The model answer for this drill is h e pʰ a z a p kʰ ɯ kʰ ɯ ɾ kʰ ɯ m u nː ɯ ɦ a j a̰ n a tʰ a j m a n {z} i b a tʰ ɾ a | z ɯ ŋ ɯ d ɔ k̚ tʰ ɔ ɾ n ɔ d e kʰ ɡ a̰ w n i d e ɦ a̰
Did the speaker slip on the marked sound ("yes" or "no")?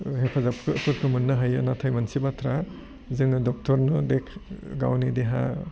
yes